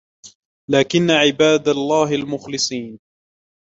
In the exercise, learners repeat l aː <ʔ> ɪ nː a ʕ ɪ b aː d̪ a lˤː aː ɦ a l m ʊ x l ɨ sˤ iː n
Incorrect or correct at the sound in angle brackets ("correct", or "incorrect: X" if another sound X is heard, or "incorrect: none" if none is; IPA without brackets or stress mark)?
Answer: incorrect: k